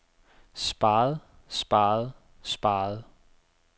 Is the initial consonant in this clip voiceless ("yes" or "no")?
yes